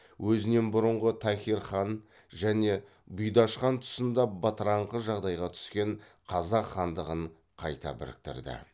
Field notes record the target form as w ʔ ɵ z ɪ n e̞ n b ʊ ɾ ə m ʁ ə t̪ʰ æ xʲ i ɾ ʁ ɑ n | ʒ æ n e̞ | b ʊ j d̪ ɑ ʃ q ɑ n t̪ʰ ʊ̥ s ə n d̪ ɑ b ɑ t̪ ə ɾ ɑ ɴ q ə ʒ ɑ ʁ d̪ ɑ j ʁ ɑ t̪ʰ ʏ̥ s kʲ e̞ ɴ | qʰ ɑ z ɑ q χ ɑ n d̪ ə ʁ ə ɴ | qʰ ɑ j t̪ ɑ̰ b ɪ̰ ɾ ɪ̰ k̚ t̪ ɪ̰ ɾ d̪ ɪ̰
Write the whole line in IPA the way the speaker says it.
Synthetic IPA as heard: w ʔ ɵ z ɪ n e̞ n b ʊ ɾ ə ɴ ʁ ə t̪ʰ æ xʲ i ɾ χ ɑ n | ʒ æ n e̞ | b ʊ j d̪ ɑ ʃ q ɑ n t̪ʰ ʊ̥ s ə n d̪ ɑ b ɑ t̪ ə ɾ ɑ ɴ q ə ʒ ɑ ʁ d̪ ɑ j ʁ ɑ t̪ʰ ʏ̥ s kʲ e̞ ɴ | qʰ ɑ z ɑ q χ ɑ n d̪ ə ʁ ə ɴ | qʰ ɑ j t̪ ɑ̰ b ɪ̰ ɾ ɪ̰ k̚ t̪ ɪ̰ ɾ d̪ ɪ̰